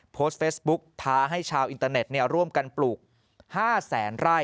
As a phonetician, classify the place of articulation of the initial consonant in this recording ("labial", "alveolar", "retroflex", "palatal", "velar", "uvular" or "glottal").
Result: labial